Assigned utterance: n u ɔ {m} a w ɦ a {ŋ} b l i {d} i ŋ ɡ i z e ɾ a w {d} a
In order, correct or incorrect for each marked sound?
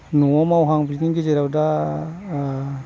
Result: correct, correct, incorrect: n, correct

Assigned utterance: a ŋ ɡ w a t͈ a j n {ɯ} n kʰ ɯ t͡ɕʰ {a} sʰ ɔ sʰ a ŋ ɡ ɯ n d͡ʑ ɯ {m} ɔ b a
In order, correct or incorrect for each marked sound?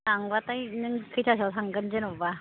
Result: correct, correct, incorrect: n

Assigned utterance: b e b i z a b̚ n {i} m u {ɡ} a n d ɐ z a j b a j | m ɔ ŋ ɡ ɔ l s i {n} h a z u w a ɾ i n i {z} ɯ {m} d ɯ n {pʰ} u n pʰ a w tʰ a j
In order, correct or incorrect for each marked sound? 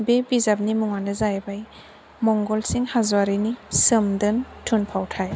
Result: correct, incorrect: ŋ, incorrect: ŋ, incorrect: s, correct, incorrect: tʰ

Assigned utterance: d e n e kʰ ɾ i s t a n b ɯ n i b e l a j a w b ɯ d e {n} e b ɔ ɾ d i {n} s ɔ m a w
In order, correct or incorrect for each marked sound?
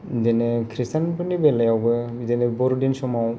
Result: correct, correct

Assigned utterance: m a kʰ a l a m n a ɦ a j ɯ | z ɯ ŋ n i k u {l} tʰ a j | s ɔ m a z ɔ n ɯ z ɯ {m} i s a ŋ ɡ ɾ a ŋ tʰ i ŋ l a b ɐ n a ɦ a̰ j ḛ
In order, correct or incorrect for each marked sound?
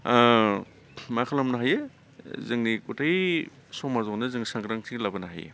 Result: incorrect: none, incorrect: ŋ

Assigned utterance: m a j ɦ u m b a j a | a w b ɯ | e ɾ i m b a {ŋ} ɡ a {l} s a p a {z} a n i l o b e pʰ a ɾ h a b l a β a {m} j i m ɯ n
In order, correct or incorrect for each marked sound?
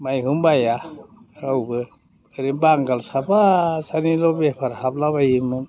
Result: correct, correct, incorrect: s, incorrect: none

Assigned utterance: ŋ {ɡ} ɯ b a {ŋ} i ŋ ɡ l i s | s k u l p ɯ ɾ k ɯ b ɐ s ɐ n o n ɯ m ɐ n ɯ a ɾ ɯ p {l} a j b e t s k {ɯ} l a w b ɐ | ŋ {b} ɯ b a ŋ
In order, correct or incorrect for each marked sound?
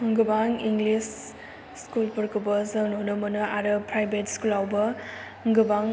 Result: correct, correct, incorrect: ɾ, incorrect: u, incorrect: ɡ

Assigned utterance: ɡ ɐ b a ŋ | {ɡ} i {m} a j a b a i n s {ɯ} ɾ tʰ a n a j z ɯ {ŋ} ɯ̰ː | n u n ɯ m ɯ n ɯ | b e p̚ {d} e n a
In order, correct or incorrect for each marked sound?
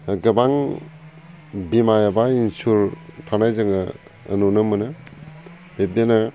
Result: incorrect: b, correct, incorrect: u, correct, correct

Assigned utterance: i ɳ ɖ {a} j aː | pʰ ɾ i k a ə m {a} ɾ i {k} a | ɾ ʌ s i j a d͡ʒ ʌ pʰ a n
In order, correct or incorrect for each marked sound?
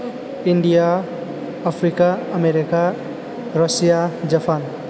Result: incorrect: i, incorrect: e, correct

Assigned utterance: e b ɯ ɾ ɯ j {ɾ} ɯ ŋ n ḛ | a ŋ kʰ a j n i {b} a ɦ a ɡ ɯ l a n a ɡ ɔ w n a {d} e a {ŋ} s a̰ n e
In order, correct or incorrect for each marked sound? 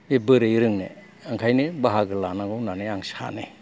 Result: correct, correct, incorrect: n, correct

